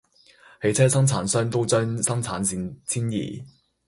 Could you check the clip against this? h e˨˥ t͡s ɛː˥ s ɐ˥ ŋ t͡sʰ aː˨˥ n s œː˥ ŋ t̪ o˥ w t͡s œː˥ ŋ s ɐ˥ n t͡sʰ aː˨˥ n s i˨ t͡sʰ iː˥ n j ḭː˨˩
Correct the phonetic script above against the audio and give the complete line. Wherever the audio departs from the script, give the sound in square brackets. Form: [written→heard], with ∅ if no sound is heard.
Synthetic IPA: h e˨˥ [t͡s→t͡sʰ] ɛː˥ s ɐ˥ ŋ t͡sʰ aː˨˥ n s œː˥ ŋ t̪ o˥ w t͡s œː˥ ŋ s ɐ˥ [n→ŋ] t͡sʰ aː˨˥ n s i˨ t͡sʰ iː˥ n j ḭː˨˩